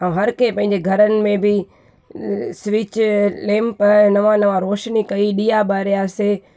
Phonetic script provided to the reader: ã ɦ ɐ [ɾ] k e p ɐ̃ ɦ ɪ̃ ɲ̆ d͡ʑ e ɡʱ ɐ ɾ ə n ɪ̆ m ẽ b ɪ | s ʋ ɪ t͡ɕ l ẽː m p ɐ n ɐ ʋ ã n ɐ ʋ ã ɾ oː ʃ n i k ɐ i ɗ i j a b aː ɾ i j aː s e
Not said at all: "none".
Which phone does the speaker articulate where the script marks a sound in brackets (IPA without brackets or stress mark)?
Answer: ɾ